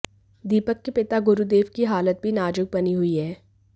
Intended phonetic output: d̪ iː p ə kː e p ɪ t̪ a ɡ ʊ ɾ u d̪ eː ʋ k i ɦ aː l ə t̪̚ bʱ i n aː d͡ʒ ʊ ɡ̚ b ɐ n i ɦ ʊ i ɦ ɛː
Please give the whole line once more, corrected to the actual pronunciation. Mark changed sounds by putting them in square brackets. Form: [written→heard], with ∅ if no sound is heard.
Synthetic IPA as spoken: d̪ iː p ə kː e p ɪ t̪ a ɡ ʊ ɾ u d̪ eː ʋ k i ɦ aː l ə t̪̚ bʱ i n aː d͡ʒ ʊ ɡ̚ b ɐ n i ɦ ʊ i ɦ ɛː